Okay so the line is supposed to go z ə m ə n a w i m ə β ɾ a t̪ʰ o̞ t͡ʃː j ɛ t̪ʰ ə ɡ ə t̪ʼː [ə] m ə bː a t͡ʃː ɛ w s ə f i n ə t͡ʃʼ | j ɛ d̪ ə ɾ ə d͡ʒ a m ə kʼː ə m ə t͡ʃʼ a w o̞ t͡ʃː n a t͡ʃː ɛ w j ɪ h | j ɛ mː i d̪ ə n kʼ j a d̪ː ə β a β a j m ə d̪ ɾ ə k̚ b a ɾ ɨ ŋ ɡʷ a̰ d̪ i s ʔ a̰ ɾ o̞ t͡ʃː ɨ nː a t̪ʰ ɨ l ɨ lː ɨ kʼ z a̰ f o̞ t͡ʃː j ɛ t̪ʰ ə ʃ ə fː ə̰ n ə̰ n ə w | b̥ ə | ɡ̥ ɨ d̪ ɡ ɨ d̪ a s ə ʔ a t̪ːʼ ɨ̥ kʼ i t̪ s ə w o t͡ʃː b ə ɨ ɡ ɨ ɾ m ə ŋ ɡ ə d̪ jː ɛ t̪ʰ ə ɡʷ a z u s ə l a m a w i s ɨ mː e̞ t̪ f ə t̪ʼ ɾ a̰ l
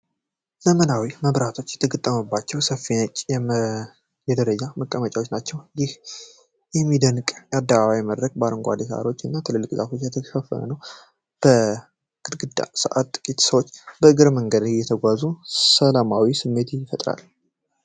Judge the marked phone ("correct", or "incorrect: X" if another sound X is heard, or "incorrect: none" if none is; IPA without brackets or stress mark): correct